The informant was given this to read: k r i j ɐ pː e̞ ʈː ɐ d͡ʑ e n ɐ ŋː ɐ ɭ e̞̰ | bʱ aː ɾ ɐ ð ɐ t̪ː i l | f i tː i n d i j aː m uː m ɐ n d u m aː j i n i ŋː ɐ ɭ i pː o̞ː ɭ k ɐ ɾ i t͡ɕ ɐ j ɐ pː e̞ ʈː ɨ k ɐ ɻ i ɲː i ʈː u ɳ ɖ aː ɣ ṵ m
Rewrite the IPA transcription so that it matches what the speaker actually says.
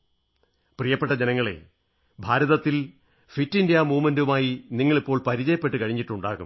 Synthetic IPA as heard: p r i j ɐ pː e̞ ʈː ɐ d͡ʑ e n ɐ ŋː ɐ ɭ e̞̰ | bʱ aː ɾ ɐ ð ɐ t̪ː i l | f i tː i n d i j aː m uː m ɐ n d u m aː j i n i ŋː ɐ ɭ i pː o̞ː ɭ p ɐ ɾ i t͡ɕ ɐ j ɐ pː e̞ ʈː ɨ k ɐ ɻ i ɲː i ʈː u ɳ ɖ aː ɣ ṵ m

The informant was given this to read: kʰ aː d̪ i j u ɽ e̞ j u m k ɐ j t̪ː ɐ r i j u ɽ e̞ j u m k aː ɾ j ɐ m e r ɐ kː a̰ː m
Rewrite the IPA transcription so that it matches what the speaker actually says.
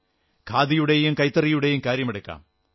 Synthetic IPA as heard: kʰ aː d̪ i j u ɽ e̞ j u m k ɐ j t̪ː ɐ r i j u ɽ e̞ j u m k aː ɾ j ɐ m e ɽ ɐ kː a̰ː m

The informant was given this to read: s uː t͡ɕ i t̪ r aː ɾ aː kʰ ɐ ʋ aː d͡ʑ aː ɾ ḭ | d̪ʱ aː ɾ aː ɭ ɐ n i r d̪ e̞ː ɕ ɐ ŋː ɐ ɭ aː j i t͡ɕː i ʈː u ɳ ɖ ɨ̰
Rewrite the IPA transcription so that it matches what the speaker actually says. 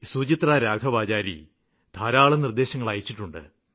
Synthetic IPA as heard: s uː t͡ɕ i t̪ r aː ɾ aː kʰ ɐ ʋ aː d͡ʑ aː ɾ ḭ | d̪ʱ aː ɾ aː ɭ ɐ n i r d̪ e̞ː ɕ ɐ ŋː ɐ ɭ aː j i t͡ɕː i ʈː u ɳ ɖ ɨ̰

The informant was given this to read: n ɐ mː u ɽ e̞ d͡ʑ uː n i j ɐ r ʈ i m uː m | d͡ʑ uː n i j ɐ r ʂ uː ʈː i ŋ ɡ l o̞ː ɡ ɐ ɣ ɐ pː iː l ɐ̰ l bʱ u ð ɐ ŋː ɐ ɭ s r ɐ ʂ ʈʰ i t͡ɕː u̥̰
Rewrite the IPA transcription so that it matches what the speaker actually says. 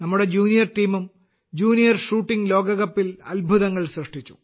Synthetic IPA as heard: n ɐ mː u ɽ e̞ d͡ʑ uː n i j ɐ r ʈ iː m u m | d͡ʑ uː n i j ɐ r ʂ uː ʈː i ŋ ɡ l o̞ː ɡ ɐ ɣ ɐ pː i l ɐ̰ l bʱ u ð ɐ ŋː ɐ ɭ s r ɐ ʂ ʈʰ i t͡ɕː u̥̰

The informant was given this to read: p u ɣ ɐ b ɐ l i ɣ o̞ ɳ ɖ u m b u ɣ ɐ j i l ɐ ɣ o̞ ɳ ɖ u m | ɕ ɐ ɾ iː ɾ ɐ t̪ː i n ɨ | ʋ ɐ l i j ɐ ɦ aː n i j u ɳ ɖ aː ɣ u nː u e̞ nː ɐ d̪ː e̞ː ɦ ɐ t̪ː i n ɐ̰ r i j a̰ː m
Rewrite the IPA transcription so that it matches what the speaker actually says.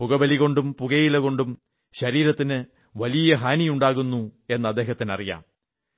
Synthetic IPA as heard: p u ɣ ɐ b ɐ l i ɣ o̞ ɳ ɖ u m p u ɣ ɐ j i l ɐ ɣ o̞ ɳ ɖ u m | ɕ ɐ ɾ iː ɾ ɐ t̪ː i n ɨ | ʋ ɐ l i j ɐ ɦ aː n i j u ɳ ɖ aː ɣ u nː u e̞ nː ɐ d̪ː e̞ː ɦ ɐ t̪ː i n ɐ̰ r i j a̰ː m

